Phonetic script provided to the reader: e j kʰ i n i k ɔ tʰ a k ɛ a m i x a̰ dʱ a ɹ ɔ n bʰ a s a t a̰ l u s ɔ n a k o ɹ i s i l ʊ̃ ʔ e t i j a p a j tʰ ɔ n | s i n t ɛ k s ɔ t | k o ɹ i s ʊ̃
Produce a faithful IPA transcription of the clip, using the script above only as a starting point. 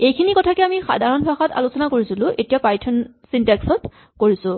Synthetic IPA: e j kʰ i n i k ɔ tʰ a k ɛ a m i x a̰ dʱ a ɹ ɔ n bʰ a x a t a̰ l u s ɔ n a k o ɹ i s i l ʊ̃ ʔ e t i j a p a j tʰ ɔ n | s i n t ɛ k s ɔ t | k o ɹ i s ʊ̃